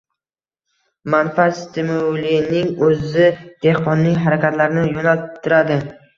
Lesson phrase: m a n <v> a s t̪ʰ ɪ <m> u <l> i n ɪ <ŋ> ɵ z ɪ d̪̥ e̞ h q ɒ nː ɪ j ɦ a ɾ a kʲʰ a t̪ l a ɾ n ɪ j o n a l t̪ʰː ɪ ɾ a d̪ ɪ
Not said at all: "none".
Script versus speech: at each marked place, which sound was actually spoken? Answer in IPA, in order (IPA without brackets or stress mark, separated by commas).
f, m, l, ŋ